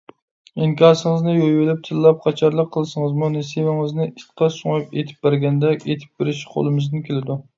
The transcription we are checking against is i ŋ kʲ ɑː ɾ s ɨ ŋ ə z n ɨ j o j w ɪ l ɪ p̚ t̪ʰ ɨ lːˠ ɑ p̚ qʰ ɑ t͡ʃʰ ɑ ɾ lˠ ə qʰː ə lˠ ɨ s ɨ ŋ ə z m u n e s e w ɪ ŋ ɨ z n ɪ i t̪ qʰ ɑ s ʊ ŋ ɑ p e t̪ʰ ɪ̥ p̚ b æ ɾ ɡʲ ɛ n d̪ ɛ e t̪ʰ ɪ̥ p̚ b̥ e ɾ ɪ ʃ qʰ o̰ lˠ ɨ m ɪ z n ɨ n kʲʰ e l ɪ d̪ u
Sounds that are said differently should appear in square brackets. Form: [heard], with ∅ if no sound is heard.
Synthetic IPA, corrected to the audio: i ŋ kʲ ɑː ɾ s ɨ ŋ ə z n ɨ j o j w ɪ l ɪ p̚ t̪ʰ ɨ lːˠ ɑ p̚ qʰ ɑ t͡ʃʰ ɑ ɾ lˠ ə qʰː ə lˠ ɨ s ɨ ŋ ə z m u n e s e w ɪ ŋ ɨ z n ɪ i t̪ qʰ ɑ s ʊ ŋ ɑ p e t̪ʰ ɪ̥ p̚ b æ ɾ ɡʲ ɛ n d̪ ɛ e t̪ʰ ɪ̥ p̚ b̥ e ɾ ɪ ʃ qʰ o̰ lˠ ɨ m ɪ z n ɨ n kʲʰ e l ɪ d̪ u